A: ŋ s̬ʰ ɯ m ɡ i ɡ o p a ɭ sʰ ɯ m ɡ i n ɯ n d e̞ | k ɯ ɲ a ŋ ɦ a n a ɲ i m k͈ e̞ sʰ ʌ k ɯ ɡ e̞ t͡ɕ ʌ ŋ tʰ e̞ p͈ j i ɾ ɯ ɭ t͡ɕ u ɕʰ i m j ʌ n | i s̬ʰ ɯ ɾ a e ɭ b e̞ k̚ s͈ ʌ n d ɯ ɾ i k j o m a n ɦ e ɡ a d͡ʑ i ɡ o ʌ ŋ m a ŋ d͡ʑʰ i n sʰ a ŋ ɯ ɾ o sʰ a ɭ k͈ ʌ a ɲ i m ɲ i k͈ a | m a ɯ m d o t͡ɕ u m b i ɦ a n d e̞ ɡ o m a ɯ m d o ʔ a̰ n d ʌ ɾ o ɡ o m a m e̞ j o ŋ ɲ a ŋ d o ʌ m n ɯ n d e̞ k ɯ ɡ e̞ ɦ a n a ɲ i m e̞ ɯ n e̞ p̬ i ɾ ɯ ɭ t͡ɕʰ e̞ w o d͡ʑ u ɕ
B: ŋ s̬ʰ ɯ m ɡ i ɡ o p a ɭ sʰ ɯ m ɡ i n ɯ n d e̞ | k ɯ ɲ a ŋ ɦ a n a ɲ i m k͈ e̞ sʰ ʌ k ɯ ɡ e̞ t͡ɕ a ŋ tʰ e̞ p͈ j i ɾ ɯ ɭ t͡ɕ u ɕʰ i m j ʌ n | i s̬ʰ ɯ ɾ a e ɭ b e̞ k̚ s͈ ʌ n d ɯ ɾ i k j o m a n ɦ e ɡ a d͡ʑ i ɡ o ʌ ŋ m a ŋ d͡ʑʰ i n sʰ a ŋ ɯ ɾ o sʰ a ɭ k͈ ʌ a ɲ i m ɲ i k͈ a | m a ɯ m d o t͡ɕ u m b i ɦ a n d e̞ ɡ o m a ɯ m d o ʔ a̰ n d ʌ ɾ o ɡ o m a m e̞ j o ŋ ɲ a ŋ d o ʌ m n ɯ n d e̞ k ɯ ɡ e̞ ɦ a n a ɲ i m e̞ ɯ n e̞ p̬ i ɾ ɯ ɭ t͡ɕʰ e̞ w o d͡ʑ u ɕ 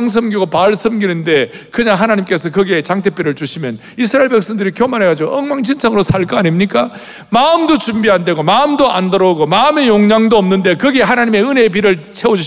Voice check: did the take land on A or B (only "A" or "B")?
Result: B